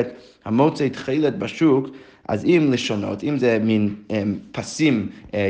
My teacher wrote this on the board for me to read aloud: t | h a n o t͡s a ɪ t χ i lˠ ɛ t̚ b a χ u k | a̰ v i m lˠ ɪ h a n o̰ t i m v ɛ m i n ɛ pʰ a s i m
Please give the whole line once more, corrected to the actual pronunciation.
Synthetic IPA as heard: t | h a m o t͡s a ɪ t χ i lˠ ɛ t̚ b a ʃ u k | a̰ z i m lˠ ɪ ʃ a n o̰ t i m z ɛ m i n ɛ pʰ a s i m